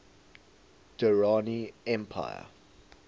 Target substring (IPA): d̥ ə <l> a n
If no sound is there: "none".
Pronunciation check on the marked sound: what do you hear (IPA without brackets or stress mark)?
ɹ